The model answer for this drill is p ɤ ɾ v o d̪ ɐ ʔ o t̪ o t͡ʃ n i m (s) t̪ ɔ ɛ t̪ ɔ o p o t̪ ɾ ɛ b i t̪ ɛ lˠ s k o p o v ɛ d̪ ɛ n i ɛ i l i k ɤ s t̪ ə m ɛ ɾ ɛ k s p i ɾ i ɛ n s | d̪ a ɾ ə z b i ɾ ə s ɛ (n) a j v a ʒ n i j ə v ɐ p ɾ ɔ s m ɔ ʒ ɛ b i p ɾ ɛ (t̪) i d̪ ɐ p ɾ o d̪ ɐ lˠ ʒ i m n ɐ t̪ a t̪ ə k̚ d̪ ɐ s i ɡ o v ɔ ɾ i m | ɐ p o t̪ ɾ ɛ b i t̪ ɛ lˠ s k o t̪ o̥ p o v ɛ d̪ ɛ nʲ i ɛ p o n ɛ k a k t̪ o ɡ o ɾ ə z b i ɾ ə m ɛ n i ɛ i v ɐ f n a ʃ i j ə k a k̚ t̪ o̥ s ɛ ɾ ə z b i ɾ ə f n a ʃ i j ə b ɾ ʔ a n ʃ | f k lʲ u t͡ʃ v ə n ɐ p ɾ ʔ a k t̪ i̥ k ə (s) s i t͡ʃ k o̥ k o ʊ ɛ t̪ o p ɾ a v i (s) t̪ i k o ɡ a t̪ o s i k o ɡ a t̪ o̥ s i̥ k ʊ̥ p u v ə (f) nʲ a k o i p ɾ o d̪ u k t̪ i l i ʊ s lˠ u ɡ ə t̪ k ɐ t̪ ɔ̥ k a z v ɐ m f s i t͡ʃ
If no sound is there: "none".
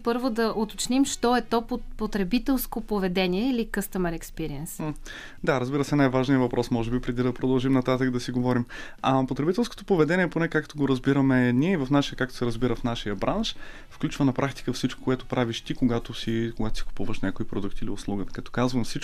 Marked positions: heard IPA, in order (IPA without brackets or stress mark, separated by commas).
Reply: ʃ, n, d̪, f, ʃ, ʃ